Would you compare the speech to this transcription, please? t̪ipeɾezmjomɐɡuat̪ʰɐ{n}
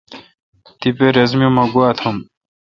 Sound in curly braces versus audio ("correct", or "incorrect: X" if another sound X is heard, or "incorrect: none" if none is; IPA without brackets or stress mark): incorrect: m